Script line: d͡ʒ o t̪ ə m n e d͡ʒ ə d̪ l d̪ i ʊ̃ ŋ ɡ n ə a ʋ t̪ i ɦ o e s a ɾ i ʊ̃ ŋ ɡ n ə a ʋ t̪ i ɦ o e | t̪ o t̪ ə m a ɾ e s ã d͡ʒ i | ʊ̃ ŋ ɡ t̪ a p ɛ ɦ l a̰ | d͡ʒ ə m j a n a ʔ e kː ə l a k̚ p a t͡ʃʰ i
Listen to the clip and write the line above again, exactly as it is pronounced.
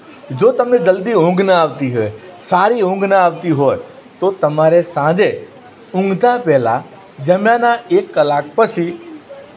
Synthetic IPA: d͡ʒ o t̪ ə m n e d͡ʒ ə l d̪ i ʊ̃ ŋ ɡ n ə a ʋ t̪ i ɦ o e s a ɾ i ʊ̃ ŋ ɡ n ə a ʋ t̪ i ɦ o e | t̪ o t̪ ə m a ɾ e s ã d͡ʒ e | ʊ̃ ŋ ɡ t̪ a p ɛ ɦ l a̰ | d͡ʒ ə m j a n a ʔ e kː ə l a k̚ p ə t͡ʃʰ i